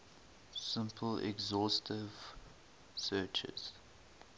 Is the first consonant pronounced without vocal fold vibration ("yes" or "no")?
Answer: yes